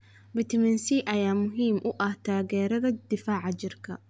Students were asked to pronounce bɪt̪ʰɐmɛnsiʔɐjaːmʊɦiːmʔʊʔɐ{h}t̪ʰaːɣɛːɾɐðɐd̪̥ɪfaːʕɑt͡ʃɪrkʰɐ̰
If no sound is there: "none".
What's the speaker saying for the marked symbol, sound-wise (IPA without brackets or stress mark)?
h